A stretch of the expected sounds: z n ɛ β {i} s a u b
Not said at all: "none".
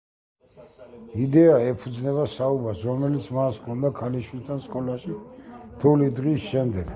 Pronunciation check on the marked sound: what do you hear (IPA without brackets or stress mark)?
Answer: a